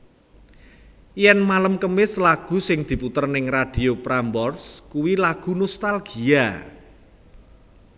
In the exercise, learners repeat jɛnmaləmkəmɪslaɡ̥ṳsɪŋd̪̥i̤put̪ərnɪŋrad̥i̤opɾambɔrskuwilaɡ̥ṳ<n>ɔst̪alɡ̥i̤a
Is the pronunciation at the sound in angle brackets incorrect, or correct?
correct